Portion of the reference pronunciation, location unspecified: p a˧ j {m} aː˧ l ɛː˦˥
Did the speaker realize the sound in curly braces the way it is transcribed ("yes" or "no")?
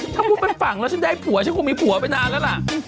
no